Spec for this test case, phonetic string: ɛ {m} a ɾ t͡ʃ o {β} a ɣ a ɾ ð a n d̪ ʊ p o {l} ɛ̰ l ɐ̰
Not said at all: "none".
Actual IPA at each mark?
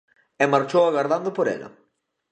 m, w, ɾ

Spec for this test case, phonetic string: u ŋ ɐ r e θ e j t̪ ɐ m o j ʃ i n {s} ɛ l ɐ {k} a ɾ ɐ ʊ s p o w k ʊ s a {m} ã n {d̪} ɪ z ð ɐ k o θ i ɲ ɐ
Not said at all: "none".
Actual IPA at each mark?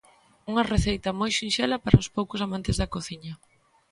ʃ, p, m, t̪

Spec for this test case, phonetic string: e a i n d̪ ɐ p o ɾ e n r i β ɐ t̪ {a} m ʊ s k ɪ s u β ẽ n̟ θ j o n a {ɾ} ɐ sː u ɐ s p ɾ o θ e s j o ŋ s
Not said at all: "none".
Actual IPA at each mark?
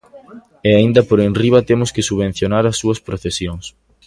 e, ɾ

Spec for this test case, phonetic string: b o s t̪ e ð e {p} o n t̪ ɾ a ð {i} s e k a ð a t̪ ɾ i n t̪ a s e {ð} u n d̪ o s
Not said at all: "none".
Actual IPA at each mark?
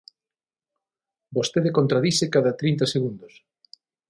k, i, ɣ

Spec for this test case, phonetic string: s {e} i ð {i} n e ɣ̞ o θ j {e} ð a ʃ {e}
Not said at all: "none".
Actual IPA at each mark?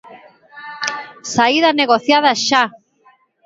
a, a, a, a

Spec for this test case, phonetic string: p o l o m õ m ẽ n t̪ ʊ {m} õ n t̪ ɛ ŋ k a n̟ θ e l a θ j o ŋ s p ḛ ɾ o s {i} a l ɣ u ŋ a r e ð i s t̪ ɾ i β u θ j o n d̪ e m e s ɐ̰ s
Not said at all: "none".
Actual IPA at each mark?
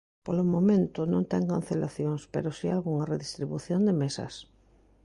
n, i

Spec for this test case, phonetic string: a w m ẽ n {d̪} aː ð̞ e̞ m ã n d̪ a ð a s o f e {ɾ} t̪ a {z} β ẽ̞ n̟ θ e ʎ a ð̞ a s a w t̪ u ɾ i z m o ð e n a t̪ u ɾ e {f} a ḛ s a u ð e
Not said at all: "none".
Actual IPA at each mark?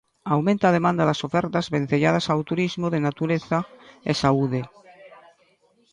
t̪, ɾ, z, θ

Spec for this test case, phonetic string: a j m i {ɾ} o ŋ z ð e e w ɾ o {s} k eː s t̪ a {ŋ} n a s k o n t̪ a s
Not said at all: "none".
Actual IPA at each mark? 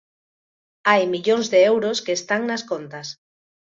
ʎ, s, ŋ

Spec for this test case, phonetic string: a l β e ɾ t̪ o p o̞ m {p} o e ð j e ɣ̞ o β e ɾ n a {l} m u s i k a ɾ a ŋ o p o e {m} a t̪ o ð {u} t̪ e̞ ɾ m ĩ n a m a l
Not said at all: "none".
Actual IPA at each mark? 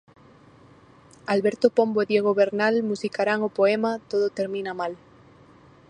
b, l, m, o

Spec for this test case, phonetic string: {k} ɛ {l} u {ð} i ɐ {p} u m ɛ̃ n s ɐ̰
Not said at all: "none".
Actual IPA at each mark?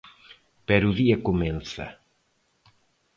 p, ɾ, ð, k

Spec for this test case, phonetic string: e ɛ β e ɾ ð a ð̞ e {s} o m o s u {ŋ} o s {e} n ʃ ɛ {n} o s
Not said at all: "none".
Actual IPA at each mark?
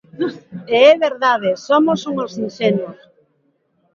s, ŋ, i, n

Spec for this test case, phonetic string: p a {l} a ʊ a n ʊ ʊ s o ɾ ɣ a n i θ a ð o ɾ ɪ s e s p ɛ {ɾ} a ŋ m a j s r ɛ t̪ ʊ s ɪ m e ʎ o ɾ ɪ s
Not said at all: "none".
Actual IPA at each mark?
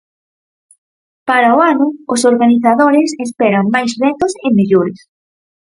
ɾ, ɾ

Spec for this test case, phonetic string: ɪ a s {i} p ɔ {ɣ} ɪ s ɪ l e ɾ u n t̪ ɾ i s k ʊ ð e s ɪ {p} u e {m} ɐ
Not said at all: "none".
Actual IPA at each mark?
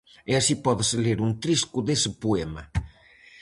i, ð, p, m

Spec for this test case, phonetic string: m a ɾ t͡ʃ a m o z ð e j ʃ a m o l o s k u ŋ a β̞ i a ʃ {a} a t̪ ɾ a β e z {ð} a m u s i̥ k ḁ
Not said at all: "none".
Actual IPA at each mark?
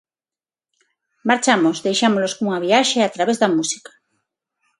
e, ð

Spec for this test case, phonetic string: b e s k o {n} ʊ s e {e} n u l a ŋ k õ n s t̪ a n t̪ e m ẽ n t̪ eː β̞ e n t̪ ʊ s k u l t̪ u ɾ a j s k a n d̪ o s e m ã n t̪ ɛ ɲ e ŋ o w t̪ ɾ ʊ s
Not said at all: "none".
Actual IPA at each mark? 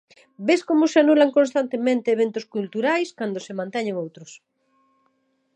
m, a

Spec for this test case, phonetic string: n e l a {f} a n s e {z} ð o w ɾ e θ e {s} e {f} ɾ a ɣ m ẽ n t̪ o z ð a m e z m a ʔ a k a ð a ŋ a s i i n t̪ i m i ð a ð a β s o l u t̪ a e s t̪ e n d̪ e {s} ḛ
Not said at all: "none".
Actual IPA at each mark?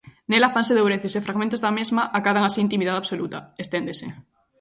f, none, s, f, s

